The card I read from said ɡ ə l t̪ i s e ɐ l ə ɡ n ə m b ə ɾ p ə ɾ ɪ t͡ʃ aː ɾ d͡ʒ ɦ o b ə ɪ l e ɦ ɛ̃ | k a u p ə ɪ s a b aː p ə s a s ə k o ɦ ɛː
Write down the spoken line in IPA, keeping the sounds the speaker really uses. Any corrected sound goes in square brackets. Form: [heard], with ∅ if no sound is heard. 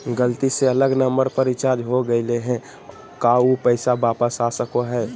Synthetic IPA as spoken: ɡ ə l t̪ i s e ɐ l ə ɡ n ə m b ə ɾ p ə ɾ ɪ t͡ʃ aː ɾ d͡ʒ ɦ o [ɡ] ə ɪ l e ɦ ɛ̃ | k a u p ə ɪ s a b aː p ə s a s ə k o ɦ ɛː